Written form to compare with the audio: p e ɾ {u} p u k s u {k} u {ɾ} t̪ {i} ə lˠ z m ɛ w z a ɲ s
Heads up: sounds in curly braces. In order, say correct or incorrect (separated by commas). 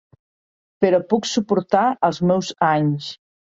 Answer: incorrect, incorrect, correct, incorrect